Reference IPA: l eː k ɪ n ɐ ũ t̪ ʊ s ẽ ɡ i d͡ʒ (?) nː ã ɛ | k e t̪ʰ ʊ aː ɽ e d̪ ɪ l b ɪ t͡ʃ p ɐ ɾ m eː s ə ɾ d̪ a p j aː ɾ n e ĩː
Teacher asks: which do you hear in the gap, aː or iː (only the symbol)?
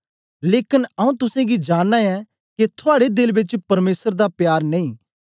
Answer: aː